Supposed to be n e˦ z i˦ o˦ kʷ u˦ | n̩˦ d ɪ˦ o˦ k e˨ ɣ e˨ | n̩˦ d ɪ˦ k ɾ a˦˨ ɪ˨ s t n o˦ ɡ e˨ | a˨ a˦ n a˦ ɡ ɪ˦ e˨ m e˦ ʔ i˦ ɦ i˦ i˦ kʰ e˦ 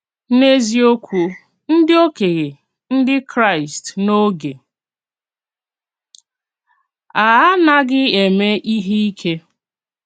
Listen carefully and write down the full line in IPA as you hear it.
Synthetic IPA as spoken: n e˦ z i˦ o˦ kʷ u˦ | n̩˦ d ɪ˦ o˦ k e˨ ɣ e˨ | n̩˦ d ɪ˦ k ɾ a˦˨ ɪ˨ s t n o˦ ɡ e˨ | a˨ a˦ n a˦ ɡ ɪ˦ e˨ m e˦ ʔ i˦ ɦ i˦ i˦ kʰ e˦